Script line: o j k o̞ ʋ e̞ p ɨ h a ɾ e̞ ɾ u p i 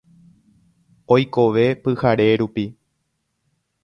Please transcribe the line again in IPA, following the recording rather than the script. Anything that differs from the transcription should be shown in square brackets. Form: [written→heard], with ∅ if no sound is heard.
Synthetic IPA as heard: o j k o̞ ʋ e̞ p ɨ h a ɾ e̞ ɾ u p i